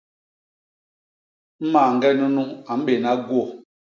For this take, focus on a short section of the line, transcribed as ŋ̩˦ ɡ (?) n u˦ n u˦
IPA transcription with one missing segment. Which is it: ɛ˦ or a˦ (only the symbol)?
ɛ˦